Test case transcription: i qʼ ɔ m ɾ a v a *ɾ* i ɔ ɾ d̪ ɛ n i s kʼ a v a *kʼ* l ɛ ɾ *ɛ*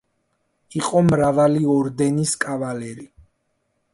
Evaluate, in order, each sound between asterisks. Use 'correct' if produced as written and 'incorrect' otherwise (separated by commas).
incorrect, incorrect, incorrect